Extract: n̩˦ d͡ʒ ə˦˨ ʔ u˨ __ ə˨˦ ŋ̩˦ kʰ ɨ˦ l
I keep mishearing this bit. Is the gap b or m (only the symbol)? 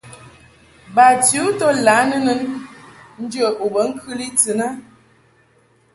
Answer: b